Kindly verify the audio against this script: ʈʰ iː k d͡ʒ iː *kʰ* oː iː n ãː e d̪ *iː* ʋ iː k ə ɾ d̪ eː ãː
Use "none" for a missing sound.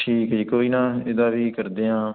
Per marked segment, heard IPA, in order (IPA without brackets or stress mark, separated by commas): k, aː